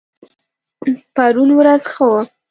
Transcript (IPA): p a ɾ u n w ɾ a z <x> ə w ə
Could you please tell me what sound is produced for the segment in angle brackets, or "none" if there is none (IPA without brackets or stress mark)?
x